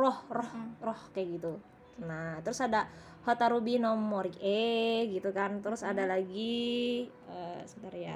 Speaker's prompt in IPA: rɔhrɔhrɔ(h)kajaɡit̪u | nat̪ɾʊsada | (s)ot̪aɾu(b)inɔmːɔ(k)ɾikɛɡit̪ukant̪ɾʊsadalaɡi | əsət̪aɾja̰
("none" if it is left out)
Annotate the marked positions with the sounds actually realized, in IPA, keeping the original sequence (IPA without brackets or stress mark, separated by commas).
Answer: h, h, b, none